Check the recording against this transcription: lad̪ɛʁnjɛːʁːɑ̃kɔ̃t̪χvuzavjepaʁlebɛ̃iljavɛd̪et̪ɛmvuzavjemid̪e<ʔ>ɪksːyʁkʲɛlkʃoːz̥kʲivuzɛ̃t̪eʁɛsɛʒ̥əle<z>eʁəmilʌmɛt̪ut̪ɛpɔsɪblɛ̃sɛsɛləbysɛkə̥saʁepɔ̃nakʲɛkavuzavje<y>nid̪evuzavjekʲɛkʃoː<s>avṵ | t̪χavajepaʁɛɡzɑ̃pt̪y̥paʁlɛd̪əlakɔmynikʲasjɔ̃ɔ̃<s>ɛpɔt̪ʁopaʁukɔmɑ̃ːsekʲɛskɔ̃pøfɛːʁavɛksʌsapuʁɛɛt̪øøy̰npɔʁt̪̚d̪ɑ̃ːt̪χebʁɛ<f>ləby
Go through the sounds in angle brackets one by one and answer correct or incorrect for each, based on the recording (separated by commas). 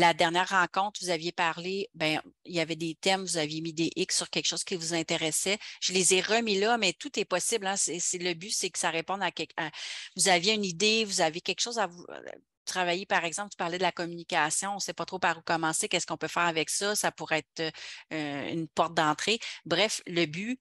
correct, correct, correct, incorrect, correct, correct